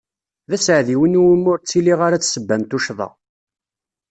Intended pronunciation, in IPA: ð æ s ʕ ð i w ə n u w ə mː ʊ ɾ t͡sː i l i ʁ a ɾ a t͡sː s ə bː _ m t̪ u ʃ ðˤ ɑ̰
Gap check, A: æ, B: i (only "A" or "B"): A